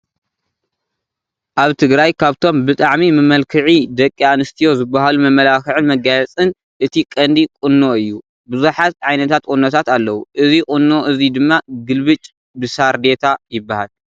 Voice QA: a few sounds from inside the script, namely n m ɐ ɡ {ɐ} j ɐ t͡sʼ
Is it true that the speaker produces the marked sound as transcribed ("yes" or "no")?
no